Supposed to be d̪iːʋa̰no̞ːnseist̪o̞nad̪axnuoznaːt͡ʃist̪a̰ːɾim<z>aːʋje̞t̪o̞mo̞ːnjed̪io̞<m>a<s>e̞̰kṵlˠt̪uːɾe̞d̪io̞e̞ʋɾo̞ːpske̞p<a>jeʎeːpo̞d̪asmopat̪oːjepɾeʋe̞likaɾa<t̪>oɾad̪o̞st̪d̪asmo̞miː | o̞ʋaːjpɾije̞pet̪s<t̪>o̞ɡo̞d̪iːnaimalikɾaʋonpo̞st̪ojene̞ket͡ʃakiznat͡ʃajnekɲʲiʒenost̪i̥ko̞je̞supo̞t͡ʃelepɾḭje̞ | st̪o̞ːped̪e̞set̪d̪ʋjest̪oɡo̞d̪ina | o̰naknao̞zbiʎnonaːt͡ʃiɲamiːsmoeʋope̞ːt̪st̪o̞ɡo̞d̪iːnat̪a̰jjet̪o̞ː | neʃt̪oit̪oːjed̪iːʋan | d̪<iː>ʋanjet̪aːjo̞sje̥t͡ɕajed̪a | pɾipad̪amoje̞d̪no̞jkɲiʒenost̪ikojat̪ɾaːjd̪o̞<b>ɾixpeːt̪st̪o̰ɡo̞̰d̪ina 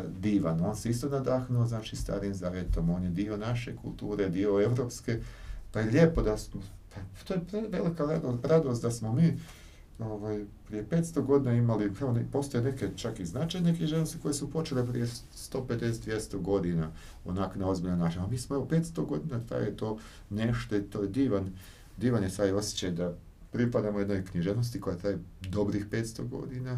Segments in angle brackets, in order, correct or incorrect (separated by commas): correct, incorrect, incorrect, correct, incorrect, correct, correct, correct